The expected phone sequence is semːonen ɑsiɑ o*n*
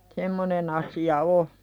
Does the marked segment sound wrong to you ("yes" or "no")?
yes